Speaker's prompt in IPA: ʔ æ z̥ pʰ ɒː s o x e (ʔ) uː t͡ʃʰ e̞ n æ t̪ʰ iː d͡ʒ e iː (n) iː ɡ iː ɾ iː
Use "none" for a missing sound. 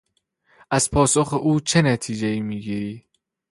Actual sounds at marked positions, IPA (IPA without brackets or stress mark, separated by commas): ʔ, m